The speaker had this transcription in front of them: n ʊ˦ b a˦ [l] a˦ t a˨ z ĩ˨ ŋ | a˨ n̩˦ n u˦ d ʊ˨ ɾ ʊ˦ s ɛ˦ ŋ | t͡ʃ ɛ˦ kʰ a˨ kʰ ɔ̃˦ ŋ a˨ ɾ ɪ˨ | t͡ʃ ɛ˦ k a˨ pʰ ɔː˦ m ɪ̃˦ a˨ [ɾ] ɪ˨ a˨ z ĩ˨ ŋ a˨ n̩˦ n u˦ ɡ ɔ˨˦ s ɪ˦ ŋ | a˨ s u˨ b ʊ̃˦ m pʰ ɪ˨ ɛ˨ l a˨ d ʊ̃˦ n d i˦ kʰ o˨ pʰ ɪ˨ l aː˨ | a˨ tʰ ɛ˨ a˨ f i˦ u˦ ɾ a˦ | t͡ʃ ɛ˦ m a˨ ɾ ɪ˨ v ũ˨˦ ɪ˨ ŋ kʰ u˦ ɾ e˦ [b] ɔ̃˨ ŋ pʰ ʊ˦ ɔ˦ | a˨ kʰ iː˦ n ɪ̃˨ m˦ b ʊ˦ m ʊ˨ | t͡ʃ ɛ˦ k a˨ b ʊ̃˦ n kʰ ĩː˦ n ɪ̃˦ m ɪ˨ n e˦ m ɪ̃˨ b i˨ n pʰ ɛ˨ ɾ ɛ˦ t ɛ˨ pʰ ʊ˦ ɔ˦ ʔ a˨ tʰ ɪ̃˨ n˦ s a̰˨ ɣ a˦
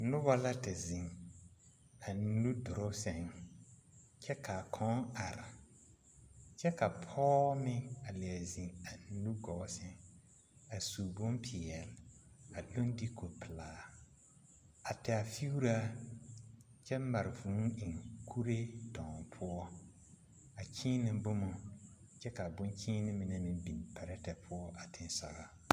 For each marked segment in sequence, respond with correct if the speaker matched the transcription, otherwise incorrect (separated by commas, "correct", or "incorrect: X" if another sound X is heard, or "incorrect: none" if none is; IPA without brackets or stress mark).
correct, incorrect: l, incorrect: d